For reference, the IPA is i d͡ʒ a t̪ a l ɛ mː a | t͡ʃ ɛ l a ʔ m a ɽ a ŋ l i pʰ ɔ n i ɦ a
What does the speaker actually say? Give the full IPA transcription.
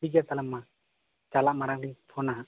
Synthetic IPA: i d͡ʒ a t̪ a l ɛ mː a | t͡ʃ a l a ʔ m a ɾ a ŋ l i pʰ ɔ n a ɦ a